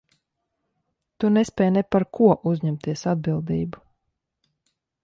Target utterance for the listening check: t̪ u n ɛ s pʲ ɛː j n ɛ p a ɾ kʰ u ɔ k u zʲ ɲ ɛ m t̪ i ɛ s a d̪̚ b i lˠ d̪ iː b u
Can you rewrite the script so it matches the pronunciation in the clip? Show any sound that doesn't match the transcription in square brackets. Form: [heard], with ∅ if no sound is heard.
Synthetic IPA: t̪ u n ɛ s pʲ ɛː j n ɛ p a ɾ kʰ u ɔ [ʔ] u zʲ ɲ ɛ m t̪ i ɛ s a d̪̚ b i lˠ d̪ iː b u